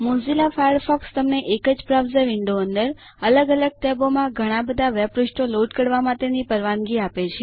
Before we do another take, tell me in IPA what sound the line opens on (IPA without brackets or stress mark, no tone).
m